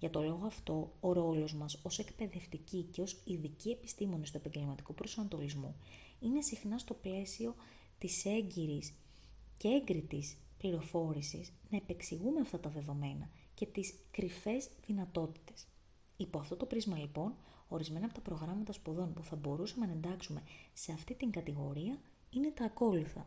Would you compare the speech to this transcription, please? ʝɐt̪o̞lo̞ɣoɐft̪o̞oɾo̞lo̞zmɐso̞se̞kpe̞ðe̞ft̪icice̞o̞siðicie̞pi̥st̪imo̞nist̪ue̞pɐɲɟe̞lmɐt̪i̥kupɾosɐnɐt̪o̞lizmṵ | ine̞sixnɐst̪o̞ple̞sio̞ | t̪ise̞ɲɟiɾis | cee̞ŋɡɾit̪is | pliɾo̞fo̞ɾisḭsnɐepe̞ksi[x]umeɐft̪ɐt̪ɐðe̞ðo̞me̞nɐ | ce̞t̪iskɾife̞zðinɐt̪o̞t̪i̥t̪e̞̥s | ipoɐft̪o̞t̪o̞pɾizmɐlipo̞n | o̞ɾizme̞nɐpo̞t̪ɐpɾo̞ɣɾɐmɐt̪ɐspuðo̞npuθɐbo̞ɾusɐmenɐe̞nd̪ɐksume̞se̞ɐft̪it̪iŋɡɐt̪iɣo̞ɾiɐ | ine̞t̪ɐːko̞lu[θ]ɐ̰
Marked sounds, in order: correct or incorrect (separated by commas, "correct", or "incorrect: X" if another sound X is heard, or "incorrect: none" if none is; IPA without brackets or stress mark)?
incorrect: ɣ, correct